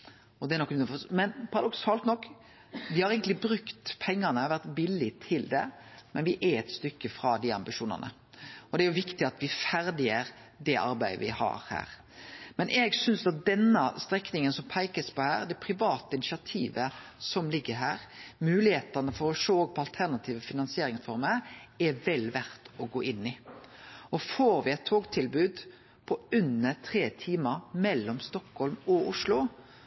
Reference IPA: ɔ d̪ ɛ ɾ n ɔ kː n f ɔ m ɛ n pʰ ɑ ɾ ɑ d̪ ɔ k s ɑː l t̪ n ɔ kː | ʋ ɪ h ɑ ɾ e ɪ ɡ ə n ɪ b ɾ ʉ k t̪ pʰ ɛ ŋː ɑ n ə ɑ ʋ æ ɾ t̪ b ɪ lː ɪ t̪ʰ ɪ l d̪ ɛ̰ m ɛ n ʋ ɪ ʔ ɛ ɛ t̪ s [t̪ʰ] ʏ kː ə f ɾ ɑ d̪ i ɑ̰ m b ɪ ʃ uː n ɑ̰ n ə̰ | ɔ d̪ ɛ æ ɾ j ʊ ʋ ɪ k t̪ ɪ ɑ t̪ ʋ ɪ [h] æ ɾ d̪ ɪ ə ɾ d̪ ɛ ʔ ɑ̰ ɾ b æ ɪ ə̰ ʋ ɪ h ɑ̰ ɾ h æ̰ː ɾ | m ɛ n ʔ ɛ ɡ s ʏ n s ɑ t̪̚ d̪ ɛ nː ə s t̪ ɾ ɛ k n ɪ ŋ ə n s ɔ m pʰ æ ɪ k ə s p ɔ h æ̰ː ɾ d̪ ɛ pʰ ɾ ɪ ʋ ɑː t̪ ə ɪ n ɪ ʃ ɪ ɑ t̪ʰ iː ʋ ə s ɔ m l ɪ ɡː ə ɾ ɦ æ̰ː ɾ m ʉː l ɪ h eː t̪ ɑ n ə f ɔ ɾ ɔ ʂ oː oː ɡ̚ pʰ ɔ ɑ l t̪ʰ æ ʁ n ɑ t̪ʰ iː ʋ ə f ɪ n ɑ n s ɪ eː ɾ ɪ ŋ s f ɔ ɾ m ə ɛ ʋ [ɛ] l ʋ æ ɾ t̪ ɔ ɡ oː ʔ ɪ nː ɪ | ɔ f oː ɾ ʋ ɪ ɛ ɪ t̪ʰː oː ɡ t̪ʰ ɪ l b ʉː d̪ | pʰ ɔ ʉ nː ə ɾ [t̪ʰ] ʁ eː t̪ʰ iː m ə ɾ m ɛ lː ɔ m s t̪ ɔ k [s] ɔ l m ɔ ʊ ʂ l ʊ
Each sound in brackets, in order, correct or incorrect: incorrect: t̪, incorrect: f, correct, correct, incorrect: h

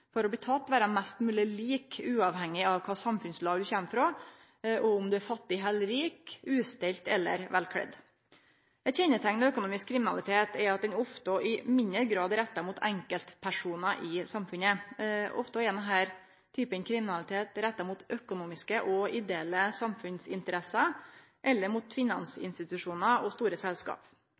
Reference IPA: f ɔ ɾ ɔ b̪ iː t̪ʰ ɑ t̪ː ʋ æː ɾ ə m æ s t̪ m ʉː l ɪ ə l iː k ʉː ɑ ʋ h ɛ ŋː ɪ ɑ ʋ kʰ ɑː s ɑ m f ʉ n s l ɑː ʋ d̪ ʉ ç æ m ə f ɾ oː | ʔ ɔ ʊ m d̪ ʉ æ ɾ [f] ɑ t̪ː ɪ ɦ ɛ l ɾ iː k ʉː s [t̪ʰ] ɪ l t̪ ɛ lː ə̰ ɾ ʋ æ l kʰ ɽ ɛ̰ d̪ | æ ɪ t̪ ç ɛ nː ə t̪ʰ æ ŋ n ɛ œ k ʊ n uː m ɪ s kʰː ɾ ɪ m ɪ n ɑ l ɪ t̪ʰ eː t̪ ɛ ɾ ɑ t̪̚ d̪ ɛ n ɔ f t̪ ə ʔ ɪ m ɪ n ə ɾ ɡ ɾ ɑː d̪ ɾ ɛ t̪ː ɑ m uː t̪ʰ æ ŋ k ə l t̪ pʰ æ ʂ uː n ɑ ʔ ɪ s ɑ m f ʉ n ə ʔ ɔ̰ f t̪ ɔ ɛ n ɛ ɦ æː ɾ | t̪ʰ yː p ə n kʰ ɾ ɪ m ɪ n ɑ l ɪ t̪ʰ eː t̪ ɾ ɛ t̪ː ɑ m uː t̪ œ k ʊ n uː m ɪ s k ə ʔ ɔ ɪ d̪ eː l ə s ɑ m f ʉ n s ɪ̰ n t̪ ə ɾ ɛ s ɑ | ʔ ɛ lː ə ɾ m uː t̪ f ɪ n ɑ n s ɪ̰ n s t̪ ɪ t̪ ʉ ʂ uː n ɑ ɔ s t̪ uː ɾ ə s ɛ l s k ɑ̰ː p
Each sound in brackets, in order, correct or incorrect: correct, incorrect: t̪

